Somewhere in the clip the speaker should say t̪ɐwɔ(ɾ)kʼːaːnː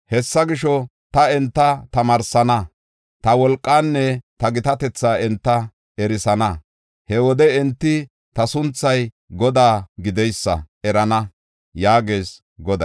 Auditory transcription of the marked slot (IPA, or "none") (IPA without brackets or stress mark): l